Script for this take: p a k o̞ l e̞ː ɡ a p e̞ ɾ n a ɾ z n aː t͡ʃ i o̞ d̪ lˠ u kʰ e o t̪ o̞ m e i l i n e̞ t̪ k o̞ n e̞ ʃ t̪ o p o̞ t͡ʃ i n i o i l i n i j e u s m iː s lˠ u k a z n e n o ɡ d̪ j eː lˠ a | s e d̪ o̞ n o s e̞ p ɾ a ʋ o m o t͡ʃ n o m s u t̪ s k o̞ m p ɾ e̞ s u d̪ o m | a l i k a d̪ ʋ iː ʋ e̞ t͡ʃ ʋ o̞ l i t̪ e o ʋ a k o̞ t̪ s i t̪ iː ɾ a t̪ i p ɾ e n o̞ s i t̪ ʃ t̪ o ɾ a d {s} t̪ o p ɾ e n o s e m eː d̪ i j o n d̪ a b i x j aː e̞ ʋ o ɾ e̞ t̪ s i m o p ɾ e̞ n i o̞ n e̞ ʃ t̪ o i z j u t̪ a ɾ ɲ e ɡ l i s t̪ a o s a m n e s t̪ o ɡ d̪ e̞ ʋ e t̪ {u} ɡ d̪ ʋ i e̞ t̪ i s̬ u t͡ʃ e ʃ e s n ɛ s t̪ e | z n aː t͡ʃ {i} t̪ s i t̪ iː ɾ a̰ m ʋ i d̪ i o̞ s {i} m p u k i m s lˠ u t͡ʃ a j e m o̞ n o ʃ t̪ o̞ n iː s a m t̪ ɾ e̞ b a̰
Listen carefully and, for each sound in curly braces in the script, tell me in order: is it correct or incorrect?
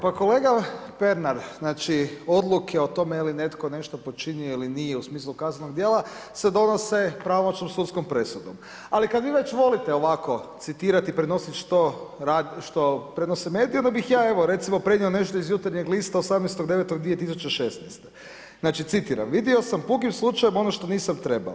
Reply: incorrect: ʃ, incorrect: o, correct, incorrect: a

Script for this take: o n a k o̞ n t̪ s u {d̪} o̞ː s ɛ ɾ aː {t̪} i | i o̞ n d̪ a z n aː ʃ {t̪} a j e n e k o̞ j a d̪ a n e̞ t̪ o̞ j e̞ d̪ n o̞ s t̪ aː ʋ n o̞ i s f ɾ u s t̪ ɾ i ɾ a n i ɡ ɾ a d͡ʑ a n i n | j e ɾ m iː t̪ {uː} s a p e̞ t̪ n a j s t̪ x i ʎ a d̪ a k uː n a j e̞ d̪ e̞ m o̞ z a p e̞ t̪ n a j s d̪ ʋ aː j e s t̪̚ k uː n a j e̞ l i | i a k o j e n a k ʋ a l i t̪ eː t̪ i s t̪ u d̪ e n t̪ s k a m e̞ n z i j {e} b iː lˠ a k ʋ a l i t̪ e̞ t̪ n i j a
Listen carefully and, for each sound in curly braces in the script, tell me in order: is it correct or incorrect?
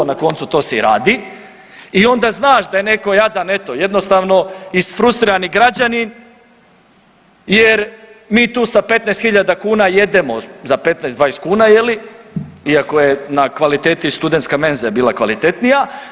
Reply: incorrect: t̪, incorrect: d̪, incorrect: d̪, correct, incorrect: a

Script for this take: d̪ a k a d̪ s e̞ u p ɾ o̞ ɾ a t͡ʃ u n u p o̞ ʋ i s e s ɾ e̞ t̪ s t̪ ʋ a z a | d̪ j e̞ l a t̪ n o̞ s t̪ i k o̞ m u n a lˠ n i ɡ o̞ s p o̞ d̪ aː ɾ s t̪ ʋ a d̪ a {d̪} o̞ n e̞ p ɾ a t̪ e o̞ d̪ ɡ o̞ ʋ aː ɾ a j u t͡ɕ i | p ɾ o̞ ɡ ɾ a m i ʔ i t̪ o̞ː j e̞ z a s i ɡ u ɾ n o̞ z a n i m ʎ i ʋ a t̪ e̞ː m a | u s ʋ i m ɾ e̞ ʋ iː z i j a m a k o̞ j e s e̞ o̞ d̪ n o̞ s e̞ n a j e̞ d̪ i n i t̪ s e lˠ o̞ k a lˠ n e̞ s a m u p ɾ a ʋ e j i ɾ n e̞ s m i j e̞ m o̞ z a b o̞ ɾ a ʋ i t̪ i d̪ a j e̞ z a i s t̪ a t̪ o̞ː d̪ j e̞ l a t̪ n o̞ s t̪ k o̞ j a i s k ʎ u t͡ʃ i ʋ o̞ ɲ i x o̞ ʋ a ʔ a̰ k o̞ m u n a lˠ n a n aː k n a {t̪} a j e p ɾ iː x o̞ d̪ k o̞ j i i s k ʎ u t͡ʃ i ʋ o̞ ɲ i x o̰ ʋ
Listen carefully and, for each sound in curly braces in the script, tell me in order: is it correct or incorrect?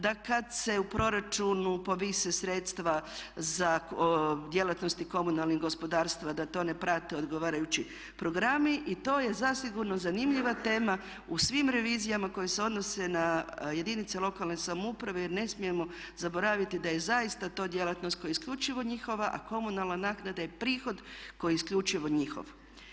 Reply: incorrect: t̪, incorrect: d̪

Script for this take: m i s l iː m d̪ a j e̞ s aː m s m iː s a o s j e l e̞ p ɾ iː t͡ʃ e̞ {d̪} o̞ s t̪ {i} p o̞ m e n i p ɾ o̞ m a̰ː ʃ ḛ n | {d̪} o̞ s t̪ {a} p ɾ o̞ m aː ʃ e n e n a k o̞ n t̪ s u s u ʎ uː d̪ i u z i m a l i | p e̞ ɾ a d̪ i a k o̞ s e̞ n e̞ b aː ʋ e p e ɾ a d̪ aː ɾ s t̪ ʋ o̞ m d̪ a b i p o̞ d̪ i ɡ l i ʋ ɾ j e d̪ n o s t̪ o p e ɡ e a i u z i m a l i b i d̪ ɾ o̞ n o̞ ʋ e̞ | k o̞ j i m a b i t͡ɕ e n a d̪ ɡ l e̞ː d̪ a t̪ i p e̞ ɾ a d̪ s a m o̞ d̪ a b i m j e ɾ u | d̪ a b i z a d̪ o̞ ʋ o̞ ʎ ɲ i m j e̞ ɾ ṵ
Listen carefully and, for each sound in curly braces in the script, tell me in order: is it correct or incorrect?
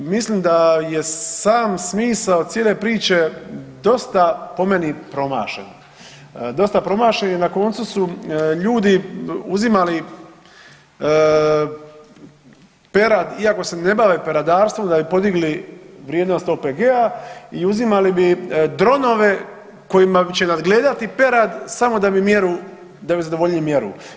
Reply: correct, incorrect: a, correct, correct

